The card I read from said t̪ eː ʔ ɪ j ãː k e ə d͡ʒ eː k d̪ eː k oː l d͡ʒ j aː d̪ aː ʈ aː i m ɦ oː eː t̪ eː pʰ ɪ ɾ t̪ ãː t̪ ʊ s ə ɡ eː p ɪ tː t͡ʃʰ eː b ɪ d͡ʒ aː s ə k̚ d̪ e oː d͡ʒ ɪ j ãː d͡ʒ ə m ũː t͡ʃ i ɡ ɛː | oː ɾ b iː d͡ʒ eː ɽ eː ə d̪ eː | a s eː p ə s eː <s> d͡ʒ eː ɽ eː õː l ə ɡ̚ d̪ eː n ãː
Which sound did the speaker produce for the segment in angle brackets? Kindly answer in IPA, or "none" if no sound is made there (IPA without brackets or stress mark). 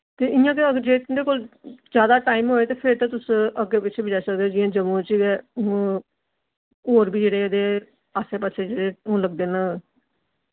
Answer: none